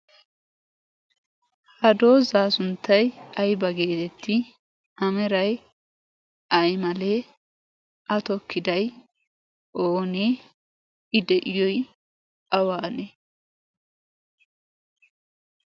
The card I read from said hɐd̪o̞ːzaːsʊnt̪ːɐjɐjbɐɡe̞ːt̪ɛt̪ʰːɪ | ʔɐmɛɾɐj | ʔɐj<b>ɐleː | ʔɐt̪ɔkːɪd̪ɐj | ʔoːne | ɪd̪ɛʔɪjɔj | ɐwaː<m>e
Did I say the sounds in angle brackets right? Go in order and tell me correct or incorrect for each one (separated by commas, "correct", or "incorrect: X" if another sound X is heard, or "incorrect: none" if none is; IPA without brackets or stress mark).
incorrect: m, incorrect: n